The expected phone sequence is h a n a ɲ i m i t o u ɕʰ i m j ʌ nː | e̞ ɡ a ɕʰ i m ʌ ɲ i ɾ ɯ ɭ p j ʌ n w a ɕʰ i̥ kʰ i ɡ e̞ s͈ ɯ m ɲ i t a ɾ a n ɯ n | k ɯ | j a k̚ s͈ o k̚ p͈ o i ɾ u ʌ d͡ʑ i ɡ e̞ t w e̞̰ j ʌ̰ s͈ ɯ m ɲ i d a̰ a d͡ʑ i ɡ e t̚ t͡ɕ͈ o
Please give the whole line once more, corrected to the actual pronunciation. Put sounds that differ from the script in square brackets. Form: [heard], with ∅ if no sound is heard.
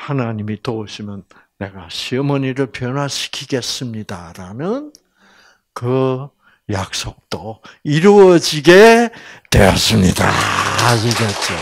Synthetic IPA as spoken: h a n a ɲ i m i t o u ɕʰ i m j ʌ nː | e̞ ɡ a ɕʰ i m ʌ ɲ i ɾ ɯ ɭ p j ʌ n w a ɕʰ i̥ kʰ i ɡ e̞ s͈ ɯ m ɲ i [d] a ɾ a n ɯ n | k ɯ | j a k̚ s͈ o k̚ [t͈] o i ɾ u ʌ d͡ʑ i ɡ e̞ t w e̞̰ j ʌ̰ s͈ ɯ m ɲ i d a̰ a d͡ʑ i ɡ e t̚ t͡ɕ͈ o